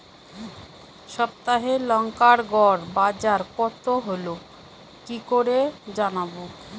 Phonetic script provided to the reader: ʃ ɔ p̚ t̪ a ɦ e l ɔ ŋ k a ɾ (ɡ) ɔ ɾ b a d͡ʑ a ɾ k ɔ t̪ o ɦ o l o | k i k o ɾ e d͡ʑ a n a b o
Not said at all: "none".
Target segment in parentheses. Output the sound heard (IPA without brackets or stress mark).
ɡ